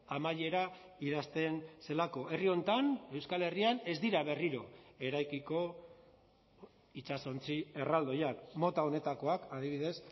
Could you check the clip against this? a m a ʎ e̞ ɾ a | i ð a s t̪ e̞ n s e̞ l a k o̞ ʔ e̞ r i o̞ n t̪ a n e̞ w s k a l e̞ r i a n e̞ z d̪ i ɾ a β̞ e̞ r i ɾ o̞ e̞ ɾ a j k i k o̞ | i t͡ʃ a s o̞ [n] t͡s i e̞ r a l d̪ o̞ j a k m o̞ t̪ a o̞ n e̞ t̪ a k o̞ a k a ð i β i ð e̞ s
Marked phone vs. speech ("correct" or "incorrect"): correct